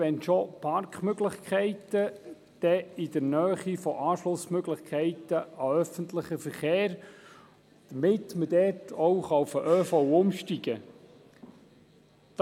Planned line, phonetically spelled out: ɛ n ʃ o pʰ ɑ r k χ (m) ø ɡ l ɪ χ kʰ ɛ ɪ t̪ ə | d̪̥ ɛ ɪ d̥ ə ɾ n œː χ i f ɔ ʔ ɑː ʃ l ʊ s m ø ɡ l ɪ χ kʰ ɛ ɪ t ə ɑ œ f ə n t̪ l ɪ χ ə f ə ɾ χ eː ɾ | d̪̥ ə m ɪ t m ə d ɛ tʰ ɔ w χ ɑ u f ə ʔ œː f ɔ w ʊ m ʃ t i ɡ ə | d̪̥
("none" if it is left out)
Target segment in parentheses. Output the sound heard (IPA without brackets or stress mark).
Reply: m